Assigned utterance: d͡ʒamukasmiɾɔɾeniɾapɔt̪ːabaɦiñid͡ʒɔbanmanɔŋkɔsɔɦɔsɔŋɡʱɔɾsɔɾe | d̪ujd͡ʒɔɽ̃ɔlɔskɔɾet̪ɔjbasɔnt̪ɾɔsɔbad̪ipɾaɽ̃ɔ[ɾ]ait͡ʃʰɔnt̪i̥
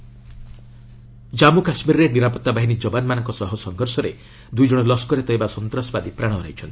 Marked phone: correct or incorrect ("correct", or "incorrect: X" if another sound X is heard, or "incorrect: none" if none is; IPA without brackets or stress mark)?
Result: correct